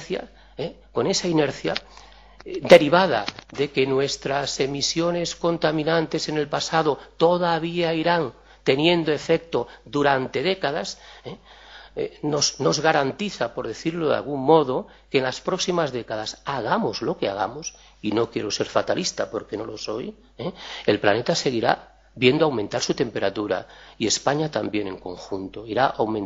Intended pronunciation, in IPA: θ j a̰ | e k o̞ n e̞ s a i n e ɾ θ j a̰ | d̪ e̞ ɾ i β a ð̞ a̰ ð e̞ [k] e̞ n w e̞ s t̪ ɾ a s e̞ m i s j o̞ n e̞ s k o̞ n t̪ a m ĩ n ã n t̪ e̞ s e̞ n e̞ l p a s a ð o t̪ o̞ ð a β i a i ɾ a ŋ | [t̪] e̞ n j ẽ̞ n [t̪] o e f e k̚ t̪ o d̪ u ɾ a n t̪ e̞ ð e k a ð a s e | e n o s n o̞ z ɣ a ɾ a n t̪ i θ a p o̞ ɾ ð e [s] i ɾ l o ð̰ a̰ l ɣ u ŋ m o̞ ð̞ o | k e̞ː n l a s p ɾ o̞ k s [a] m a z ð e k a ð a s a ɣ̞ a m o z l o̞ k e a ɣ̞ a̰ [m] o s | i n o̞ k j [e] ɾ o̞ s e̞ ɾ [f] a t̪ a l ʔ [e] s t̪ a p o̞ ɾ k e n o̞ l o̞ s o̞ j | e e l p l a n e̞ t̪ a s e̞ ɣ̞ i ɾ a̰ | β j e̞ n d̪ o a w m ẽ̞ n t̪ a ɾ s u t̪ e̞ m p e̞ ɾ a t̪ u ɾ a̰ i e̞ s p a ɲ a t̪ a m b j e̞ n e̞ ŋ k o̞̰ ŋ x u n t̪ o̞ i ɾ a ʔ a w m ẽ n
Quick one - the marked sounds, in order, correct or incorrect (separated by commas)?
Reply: correct, correct, incorrect, incorrect, incorrect, correct, correct, correct, incorrect